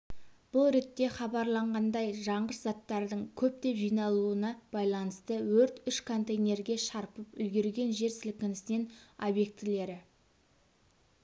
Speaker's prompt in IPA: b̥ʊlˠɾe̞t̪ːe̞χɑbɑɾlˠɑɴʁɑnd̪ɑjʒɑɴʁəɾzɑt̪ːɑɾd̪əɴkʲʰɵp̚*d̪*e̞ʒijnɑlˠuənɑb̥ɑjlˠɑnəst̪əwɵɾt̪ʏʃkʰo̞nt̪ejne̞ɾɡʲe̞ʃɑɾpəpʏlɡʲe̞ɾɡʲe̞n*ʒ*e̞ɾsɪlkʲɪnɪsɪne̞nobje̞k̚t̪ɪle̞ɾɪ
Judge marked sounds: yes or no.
no, yes

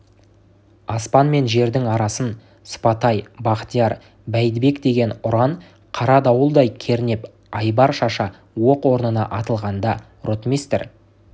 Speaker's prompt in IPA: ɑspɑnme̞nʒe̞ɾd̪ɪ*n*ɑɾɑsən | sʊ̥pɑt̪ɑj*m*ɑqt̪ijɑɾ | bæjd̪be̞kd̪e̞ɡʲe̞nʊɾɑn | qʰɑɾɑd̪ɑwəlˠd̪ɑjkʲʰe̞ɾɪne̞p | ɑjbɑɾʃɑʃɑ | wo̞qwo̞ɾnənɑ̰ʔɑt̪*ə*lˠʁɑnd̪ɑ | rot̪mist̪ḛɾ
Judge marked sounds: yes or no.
no, no, yes

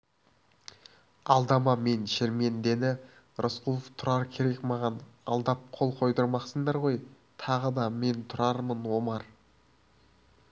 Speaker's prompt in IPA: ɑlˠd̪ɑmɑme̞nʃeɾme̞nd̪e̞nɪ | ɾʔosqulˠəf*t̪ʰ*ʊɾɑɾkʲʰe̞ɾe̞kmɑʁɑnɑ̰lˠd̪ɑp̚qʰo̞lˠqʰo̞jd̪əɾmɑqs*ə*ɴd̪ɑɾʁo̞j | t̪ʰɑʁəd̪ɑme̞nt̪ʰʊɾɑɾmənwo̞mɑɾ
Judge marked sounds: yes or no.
yes, yes

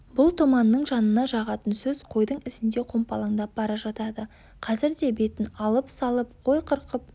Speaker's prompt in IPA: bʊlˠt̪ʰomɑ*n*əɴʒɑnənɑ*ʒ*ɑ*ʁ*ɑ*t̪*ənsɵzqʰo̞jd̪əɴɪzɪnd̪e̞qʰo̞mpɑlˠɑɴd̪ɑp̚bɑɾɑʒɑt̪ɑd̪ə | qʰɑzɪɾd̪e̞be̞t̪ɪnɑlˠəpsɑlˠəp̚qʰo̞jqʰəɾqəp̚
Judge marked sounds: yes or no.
no, yes, yes, yes

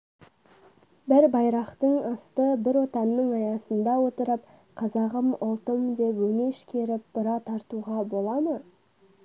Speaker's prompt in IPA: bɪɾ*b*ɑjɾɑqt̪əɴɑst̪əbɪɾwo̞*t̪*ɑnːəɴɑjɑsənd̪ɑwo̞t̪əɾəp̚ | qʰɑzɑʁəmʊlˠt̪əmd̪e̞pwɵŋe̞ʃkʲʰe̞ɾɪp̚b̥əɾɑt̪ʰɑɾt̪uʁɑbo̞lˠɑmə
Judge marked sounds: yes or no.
yes, yes

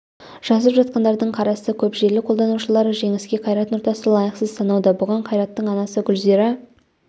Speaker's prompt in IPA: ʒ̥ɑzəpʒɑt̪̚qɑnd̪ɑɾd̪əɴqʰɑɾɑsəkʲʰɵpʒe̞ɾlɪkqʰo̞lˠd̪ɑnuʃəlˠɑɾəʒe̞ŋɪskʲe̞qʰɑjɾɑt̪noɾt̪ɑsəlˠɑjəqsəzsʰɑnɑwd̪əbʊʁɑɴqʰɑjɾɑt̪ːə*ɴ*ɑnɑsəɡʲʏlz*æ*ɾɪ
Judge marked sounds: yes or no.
yes, no

